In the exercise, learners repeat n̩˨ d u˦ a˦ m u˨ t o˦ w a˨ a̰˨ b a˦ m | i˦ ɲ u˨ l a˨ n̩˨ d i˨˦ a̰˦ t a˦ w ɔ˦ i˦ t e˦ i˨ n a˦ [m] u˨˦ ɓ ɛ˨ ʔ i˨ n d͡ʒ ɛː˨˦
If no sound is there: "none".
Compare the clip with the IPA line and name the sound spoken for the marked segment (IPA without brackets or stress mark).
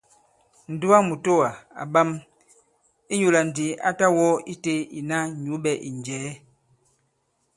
ɲ